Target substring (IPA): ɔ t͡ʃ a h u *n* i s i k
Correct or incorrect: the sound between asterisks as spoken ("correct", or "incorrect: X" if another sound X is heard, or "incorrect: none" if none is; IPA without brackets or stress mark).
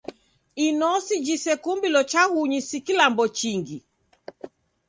incorrect: ɲ